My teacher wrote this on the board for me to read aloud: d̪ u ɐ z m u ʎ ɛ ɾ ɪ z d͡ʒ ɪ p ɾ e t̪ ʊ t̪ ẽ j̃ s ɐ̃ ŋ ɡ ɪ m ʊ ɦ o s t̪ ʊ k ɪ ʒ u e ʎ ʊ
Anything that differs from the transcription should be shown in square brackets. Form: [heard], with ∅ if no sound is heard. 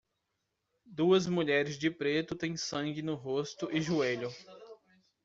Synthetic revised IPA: d̪ u ɐ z m u ʎ ɛ ɾ ɪ z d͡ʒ ɪ p ɾ e t̪ ʊ t̪ ẽ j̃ s ɐ̃ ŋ ɡ ɪ [n] ʊ ɦ o s t̪ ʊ [ʔ] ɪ ʒ u e ʎ ʊ